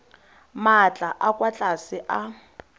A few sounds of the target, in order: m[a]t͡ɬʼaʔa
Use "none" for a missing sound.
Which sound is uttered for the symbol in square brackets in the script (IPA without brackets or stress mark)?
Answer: a